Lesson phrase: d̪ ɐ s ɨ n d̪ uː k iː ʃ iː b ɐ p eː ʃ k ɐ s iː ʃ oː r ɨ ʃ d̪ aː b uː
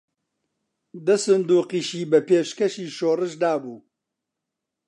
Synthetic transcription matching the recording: d̪ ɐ s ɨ n d̪ uː q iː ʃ iː b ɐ p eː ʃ k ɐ ʃ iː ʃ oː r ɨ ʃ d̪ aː b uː

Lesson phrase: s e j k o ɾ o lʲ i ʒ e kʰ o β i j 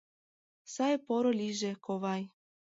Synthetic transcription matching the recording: s a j p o ɾ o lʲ i ʒ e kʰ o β a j

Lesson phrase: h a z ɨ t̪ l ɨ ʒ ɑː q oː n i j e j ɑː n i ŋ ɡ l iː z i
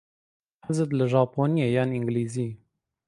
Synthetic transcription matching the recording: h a z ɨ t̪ l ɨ ʒ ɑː p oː n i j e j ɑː n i ŋ ɡ l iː z i

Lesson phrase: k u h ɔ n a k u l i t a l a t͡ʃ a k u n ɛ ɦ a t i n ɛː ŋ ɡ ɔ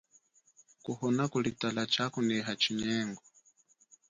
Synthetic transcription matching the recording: k u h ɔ n a k u l i t a l a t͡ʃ a k u n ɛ ɦ a t͡ʃ i ɲ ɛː ŋ ɡ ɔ

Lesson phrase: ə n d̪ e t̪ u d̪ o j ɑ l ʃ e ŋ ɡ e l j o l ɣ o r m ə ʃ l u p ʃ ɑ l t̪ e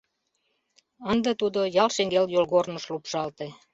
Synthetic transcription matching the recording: ə n d̪ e t̪ u d̪ o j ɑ l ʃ e ŋ ɡ e l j o l ɣ o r n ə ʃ l u p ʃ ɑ l t̪ e

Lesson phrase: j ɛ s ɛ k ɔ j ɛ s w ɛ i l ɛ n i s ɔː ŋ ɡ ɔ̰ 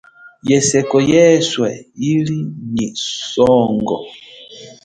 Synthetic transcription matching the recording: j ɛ s ɛ k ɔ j ɛ s w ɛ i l i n i s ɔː ŋ ɡ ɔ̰

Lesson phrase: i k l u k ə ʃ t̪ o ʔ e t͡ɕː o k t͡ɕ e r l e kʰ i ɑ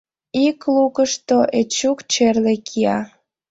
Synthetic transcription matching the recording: i k l u k ə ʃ t̪ o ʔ e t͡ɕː u k t͡ɕ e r l e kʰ i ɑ

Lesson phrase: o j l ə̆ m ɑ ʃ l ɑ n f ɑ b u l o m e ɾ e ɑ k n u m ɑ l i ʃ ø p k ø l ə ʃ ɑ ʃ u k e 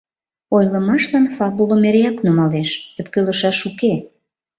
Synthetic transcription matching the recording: o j l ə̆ m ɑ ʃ l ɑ n f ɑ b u l o m e ɾ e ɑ k n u m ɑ l e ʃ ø p k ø l ə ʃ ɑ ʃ u k e

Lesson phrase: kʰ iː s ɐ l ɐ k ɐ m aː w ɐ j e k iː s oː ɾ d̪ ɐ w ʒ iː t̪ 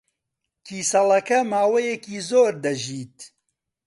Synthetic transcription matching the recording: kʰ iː s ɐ l ɐ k ɐ m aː w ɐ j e k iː z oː ɾ d̪ ɐ ʒ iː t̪

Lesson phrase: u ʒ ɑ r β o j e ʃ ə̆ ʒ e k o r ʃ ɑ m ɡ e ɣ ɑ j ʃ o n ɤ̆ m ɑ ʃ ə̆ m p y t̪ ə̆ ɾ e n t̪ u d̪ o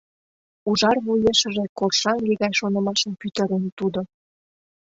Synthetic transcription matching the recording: u ʒ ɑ r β u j e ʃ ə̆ ʒ e k o r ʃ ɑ ŋ ɡ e ɣ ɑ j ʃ o n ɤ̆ m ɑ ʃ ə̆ m p y t̪ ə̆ ɾ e n t̪ u d̪ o

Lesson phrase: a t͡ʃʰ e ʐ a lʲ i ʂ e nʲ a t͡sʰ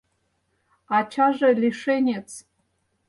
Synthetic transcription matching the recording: a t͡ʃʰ a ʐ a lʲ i ʂ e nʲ e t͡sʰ

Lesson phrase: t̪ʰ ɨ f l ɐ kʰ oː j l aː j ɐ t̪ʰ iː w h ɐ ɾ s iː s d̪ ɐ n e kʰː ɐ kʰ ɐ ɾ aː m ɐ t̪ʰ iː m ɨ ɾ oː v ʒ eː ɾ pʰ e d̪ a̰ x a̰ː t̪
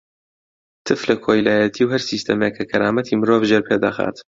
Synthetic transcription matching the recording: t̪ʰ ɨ f l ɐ kʰ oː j l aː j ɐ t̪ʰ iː w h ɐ ɾ s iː s t̪ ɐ m e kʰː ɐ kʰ ɐ ɾ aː m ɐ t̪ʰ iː m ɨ ɾ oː v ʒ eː ɾ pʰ e d̪ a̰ x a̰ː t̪

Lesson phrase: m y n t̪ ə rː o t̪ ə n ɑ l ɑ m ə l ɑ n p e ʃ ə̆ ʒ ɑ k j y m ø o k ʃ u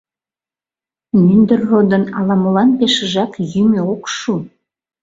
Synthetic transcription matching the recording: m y n d̪ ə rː o d̪ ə n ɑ l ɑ m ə l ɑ n p e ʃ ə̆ ʒ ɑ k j y m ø o k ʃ u

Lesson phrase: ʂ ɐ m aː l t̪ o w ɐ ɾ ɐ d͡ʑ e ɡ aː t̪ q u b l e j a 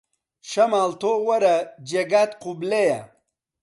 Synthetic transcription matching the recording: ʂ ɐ m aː l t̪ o w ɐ ɾ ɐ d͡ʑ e ɡ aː t̪ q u b l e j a

